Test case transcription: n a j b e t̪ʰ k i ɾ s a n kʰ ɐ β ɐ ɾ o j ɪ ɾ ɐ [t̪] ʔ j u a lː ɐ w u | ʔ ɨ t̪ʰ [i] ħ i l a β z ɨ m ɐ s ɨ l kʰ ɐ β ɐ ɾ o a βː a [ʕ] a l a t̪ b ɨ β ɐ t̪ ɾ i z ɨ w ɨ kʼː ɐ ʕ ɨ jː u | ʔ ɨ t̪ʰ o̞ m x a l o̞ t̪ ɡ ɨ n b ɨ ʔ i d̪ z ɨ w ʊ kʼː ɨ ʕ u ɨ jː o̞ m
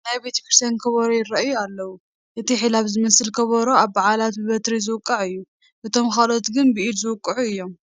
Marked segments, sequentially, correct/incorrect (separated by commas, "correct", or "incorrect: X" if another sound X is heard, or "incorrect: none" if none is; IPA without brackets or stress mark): incorrect: none, correct, correct